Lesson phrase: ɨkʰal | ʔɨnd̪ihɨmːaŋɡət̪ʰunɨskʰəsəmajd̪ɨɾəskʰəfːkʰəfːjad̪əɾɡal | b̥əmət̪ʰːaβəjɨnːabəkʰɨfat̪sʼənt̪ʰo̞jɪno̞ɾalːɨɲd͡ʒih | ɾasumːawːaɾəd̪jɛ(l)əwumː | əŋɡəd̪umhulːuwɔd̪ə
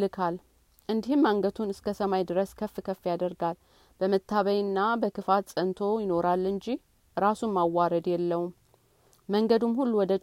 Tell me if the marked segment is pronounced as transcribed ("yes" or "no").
no